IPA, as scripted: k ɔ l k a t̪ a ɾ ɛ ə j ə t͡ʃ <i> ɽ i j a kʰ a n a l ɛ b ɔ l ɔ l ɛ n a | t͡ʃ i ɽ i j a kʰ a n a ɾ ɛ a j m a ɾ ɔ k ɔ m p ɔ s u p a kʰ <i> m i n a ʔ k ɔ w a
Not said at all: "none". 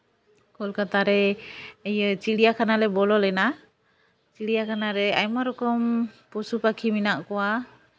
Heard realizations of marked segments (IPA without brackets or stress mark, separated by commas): i, i